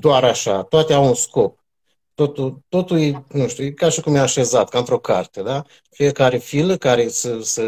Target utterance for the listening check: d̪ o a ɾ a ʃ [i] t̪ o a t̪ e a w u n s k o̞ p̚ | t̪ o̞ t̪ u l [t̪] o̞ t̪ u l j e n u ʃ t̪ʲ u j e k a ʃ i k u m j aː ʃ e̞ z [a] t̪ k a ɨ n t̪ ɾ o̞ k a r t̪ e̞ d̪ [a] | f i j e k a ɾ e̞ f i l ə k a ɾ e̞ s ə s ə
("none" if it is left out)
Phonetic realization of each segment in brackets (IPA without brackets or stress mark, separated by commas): a, t̪, a, a